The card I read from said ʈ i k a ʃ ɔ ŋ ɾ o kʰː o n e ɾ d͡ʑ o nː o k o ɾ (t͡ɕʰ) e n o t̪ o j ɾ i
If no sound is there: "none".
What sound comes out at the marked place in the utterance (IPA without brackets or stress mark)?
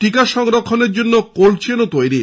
t͡ɕʰ